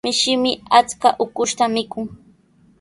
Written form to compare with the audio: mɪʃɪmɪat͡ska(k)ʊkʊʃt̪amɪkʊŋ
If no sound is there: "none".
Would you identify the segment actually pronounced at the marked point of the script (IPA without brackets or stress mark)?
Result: ʔ